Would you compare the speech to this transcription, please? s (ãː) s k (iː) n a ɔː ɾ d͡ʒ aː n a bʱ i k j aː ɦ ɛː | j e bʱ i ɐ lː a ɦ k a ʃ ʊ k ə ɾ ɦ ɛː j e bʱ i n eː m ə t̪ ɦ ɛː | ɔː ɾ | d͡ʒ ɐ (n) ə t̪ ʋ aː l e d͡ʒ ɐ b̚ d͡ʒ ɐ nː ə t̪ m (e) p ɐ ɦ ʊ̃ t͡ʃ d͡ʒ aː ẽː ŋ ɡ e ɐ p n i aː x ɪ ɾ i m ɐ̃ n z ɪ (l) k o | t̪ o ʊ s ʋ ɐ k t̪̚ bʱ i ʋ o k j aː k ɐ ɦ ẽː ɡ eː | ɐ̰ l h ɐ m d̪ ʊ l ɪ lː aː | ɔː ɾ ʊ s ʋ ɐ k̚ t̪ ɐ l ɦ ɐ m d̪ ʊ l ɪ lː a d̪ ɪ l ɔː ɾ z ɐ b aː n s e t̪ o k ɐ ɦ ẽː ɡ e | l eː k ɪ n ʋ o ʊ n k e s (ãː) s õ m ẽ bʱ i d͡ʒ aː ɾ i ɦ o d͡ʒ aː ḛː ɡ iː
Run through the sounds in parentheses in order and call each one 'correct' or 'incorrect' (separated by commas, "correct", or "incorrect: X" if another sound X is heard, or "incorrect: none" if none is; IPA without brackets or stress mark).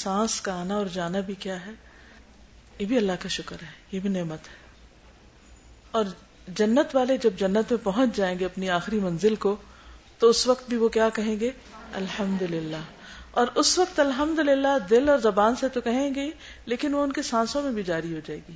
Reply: correct, incorrect: aː, incorrect: nː, incorrect: ẽ, correct, correct